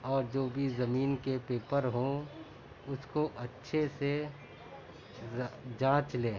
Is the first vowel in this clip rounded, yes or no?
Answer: yes